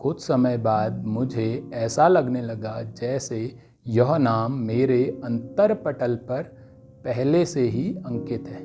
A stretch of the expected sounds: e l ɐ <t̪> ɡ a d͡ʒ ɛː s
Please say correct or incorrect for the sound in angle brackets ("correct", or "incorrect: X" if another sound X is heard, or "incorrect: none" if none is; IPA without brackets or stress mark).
incorrect: none